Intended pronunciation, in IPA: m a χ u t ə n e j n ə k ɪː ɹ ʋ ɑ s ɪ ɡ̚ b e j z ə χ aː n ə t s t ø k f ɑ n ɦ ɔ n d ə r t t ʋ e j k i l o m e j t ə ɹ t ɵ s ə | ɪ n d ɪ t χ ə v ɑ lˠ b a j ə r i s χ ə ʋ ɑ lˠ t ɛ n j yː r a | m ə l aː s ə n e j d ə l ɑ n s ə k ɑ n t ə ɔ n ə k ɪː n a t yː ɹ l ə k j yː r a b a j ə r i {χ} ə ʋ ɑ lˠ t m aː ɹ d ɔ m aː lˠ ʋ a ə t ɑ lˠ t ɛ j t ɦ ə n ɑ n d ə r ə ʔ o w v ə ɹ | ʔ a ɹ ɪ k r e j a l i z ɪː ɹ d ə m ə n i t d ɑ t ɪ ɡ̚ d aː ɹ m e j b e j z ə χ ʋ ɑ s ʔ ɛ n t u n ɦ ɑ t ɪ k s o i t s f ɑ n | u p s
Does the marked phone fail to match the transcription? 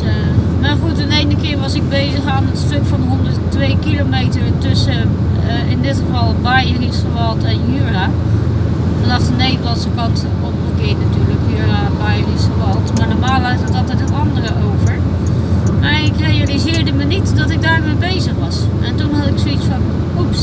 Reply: yes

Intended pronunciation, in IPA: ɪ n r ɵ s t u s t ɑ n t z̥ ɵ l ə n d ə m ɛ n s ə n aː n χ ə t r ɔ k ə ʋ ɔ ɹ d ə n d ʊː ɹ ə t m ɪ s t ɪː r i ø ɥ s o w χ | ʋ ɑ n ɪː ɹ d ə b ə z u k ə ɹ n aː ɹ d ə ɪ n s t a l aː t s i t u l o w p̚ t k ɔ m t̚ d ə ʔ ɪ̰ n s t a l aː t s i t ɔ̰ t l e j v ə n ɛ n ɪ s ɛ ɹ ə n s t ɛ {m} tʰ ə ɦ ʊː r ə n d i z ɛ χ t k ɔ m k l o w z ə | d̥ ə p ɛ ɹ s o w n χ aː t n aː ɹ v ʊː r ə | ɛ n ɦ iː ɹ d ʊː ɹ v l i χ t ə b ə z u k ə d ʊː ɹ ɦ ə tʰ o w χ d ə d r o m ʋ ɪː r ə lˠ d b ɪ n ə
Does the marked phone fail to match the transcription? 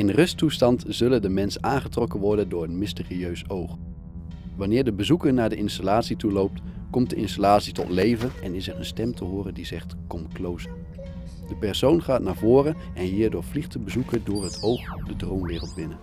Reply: no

